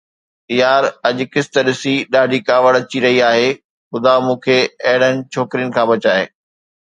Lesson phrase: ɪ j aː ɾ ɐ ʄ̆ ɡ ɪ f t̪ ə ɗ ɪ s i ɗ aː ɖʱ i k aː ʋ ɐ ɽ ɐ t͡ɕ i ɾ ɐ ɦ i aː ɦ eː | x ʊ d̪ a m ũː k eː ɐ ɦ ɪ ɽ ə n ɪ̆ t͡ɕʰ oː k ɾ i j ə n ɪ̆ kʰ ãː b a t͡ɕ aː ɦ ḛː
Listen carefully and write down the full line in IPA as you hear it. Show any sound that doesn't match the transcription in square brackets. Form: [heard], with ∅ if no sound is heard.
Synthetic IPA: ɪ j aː ɾ ɐ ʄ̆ [k] ɪ [s] t̪ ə ɗ ɪ s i ɗ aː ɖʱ i k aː ʋ [ə] ɽ ɐ t͡ɕ i ɾ ɐ ɦ i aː ɦ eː | x ʊ d̪ a m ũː [kʰ] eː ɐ ɦ ɪ ɽ ə n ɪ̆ t͡ɕʰ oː k ɾ i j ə n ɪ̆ kʰ ãː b [ɐ] t͡ɕ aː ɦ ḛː